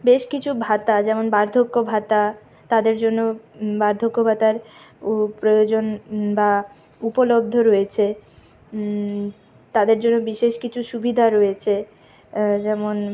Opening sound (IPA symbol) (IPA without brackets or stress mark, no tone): b